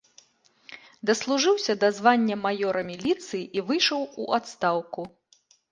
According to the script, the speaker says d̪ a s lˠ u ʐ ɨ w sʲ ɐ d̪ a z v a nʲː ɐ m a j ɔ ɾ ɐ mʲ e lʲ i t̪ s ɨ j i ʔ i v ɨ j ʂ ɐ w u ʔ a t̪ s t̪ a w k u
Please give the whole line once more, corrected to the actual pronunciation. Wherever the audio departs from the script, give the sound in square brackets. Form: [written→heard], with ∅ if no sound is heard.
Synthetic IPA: d̪ [a→ɐ] s lˠ u ʐ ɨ w sʲ ɐ d̪ a z v a nʲː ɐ m a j ɔ ɾ ɐ mʲ [e→i] lʲ i t̪ s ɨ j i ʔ i v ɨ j ʂ ɐ w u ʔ a t̪ s t̪ a w k u